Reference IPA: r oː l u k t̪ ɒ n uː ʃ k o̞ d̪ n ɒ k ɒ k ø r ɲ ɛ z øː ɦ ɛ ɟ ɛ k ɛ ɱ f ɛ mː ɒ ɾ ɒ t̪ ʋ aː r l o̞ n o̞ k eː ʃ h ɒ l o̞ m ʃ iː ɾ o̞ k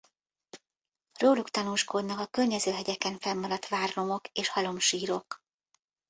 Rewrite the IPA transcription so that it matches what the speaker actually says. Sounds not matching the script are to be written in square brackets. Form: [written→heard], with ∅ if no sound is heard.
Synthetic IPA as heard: r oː l u k t̪ ɒ n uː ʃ k o̞ d̪ n ɒ k ɒ k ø r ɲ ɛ z øː ɦ ɛ ɟ ɛ k ɛ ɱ f ɛ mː ɒ ɾ ɒ t̪ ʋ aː r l o̞ [n→m] o̞ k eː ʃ h ɒ l o̞ m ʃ iː ɾ o̞ k